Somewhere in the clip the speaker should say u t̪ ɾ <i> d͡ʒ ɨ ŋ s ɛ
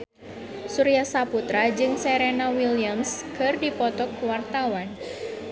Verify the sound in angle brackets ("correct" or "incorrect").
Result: incorrect